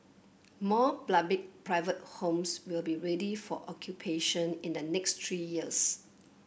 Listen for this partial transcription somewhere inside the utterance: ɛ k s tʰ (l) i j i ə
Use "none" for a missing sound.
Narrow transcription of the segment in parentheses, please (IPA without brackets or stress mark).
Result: ɹ